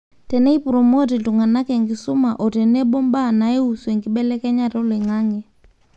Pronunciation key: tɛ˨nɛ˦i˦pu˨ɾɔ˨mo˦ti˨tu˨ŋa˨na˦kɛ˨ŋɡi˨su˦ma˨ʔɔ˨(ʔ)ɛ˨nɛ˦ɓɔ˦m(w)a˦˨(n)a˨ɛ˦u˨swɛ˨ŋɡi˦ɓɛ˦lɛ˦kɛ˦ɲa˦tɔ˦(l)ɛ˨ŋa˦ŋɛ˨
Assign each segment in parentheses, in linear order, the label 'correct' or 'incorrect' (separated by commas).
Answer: incorrect, incorrect, correct, correct